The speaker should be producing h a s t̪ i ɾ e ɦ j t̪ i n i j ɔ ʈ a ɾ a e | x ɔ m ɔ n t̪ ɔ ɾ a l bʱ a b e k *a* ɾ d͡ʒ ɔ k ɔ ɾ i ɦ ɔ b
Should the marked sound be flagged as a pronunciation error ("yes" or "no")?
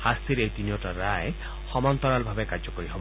no